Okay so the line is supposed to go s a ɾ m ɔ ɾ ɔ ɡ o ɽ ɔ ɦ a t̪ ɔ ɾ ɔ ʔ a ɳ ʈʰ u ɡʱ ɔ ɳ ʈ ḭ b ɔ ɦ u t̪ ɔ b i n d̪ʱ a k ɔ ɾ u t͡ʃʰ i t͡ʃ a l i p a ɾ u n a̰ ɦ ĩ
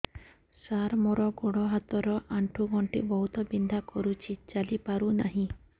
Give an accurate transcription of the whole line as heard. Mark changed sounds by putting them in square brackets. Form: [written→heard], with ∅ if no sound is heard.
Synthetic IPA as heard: s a ɾ m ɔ ɾ ɔ ɡ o ɽ ɔ ɦ a t̪ ɔ ɾ ɔ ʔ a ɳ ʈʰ u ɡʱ ɔ ɳ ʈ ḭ b ɔ ɦ u t̪ ɔ b i n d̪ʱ a k ɔ ɾ u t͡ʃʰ i t͡ʃ a l i p a ɾ u n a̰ ɦ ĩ